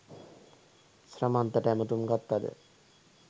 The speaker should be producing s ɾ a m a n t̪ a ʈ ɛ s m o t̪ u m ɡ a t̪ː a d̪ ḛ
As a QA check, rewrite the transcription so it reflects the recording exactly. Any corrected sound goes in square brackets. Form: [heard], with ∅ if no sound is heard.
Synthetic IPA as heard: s ɾ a m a n t̪ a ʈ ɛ [∅] m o t̪ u m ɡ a t̪ː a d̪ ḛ